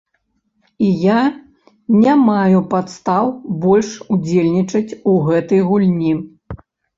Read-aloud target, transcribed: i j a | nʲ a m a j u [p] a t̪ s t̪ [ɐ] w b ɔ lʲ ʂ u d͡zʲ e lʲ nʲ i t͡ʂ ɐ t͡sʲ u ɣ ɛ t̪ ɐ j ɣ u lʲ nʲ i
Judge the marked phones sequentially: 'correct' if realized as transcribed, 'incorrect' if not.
correct, incorrect: a

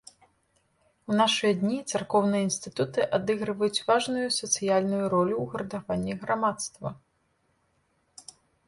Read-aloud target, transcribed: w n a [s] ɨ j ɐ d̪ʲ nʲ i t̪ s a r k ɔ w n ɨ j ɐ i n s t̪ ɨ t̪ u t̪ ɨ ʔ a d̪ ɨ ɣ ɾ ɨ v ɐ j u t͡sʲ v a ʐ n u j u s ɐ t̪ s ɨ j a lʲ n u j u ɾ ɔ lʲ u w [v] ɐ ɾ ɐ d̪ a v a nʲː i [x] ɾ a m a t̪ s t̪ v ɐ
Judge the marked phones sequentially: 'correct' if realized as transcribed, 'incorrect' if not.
incorrect: ʂ, incorrect: ɣ, incorrect: ɣ

